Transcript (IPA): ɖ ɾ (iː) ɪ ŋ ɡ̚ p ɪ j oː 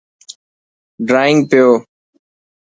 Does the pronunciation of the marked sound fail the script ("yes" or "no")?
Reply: yes